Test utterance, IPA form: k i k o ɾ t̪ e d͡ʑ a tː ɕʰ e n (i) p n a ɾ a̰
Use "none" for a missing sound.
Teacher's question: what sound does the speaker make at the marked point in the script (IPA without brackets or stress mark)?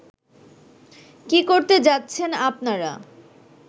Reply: a